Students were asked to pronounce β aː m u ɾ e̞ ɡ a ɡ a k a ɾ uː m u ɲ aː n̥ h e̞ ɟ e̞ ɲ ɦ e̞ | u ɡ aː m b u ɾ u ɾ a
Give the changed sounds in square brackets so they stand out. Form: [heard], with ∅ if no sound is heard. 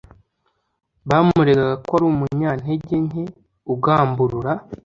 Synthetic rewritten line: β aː m u ɾ e̞ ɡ a ɡ a k a ɾ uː m u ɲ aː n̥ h e̞ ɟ e̞ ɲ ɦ e̞ | u ɡ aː m b u ɾ u ɾ a